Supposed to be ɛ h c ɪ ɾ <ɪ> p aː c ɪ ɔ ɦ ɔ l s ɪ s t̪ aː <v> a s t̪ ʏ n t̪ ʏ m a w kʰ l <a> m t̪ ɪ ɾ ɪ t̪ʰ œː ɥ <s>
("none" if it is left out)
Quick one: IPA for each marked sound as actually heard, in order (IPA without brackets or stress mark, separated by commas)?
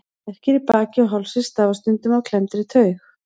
i, v, ɛ, x